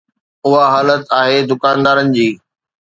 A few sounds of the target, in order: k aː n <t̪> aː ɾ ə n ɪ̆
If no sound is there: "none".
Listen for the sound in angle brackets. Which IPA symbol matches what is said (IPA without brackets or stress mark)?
d̪